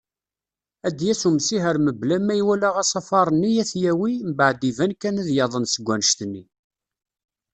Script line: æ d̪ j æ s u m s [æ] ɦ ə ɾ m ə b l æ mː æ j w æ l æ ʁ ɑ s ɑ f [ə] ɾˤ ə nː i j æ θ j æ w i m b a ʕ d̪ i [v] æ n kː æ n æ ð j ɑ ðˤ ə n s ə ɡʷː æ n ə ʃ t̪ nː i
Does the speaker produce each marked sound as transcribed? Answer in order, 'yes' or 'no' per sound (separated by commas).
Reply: no, no, yes